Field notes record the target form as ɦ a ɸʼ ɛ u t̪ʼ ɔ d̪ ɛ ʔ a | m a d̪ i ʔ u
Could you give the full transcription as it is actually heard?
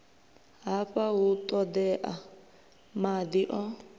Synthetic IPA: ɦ a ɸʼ a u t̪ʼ ɔ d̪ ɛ ʔ a | m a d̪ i ʔ ɔ